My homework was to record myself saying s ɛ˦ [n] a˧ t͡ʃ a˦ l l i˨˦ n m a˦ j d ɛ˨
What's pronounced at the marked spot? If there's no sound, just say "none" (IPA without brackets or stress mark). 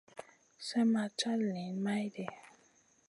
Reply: m